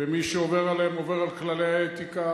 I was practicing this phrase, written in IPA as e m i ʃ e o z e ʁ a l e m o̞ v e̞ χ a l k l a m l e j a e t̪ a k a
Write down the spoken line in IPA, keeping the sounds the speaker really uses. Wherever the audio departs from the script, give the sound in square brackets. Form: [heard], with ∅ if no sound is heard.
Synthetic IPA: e m i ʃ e o [v] e ʁ a l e m o̞ v e̞ [ʁ] a l k l a [∅] l e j a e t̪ [i] k a